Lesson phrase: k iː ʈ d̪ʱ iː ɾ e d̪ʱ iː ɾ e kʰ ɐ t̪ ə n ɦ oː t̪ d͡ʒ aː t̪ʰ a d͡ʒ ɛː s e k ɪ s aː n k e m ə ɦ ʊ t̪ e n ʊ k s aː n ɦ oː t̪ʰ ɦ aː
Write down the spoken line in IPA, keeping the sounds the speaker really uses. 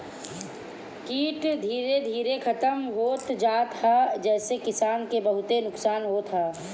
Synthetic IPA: k iː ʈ d̪ʱ iː ɾ e d̪ʱ iː ɾ e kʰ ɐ t̪ ə m ɦ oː t̪ d͡ʒ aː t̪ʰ a d͡ʒ ɛː s e k ɪ s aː n k e b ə ɦ ʊ t̪ e n ʊ k s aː n ɦ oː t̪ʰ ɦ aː